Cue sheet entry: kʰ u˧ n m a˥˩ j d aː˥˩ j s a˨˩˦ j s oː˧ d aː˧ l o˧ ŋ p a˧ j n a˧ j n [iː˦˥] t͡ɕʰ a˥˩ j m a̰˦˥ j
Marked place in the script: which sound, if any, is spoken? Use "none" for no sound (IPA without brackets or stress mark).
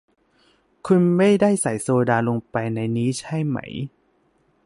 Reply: iː˦˥